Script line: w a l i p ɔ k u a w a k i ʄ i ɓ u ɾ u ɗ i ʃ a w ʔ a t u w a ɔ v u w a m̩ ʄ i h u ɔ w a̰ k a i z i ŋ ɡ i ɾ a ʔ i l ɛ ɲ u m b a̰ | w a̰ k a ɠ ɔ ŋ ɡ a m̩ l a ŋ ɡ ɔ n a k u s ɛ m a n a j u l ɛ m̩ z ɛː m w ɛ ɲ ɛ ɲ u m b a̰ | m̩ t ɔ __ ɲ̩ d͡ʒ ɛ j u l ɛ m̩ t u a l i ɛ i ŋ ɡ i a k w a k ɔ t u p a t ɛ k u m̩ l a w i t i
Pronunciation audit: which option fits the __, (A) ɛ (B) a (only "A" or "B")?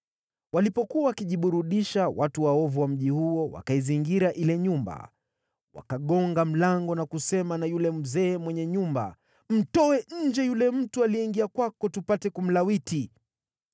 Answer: A